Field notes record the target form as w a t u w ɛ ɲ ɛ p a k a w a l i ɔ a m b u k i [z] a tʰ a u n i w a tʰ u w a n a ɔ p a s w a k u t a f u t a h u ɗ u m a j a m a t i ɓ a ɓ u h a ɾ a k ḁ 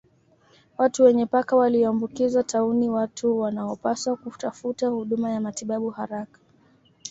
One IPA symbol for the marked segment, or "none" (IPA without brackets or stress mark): z